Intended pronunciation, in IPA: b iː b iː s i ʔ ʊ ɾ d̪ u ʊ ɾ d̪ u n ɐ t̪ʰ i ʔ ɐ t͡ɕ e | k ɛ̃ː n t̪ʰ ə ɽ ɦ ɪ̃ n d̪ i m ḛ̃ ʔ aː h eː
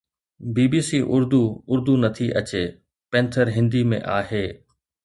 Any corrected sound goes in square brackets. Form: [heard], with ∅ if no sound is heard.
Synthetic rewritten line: b iː b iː s i ʔ ʊ ɾ d̪ u ʊ ɾ d̪ u n ɐ t̪ʰ i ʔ ɐ t͡ɕ e | [p] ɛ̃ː n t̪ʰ ə [ɾ] ɦ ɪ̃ n d̪ i m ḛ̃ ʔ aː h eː